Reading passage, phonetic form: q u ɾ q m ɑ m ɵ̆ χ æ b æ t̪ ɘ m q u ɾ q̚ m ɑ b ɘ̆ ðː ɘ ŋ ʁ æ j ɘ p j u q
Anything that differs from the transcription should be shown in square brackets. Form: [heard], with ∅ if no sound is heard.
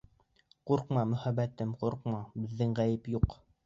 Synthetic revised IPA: q u ɾ q m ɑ m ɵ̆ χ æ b æ t̪ ɘ m q u ɾ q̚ m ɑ b ɘ̆ ðː ɘ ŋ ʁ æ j ɘ p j u q